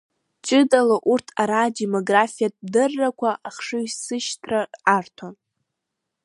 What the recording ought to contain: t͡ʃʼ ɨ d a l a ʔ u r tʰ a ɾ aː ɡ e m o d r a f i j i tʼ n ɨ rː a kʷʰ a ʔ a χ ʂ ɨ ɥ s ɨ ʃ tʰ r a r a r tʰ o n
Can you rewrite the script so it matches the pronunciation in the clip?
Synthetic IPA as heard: t͡ʃʼ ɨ d a l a ʔ u r tʰ a ɾ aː d e m o ɡ r a f i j a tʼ d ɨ rː a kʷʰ a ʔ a χ ʂ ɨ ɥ s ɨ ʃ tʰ r a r a r tʰ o n